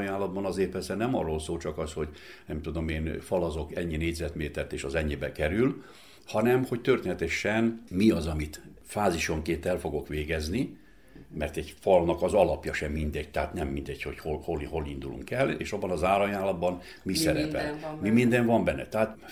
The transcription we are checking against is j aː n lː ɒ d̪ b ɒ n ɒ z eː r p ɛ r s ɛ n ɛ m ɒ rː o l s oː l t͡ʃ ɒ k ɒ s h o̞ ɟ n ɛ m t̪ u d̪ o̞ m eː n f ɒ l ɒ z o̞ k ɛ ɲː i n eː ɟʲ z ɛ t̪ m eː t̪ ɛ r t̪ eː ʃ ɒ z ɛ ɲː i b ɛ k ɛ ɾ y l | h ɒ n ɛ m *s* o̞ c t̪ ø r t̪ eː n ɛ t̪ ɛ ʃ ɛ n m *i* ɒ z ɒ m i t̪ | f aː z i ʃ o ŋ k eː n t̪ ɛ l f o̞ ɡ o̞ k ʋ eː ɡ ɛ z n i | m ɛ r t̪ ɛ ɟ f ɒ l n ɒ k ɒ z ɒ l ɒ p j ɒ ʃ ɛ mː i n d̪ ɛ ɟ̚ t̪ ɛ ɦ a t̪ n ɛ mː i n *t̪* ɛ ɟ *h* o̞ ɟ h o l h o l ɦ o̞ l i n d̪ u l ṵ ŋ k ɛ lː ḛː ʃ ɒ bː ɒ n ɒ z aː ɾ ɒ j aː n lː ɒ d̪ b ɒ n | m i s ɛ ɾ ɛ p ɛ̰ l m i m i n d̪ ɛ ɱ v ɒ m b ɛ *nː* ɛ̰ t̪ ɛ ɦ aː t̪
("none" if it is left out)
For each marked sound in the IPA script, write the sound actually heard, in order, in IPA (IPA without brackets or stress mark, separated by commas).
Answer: h, i, d̪, h, nː